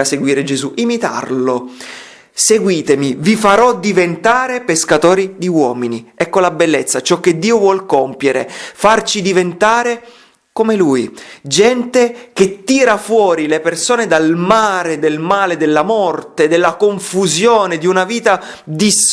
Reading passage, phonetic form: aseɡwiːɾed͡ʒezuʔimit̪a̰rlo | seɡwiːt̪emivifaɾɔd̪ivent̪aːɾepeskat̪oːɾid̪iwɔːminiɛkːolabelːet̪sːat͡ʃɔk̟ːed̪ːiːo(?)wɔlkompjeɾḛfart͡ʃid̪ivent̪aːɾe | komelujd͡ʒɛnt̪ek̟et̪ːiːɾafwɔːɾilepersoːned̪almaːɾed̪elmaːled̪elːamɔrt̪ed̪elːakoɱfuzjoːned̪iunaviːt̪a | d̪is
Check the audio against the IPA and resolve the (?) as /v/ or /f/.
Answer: v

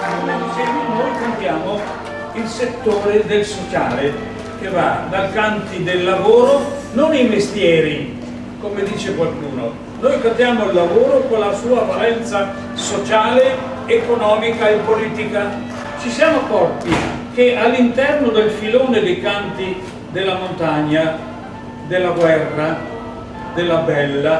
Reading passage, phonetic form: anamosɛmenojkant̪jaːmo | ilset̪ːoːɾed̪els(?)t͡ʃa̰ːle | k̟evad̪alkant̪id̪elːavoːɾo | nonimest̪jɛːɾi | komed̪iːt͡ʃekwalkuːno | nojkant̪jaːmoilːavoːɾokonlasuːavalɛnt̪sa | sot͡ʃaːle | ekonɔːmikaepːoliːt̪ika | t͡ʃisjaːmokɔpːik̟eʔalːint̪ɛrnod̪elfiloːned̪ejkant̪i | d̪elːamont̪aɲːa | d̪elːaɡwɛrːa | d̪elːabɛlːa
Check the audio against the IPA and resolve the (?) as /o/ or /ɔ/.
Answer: o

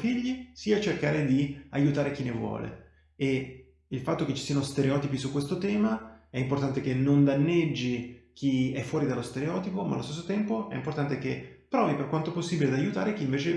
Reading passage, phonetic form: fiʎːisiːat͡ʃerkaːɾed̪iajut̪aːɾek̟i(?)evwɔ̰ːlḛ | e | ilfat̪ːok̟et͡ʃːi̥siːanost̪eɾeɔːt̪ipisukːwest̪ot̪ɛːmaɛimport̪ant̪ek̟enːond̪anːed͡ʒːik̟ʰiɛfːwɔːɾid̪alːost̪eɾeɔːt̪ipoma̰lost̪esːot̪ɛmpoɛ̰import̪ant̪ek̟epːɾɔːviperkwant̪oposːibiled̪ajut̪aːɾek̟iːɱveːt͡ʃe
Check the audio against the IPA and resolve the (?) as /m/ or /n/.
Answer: n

